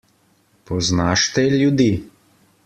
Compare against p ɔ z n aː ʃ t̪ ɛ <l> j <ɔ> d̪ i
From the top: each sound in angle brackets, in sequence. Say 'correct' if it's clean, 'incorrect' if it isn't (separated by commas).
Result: correct, incorrect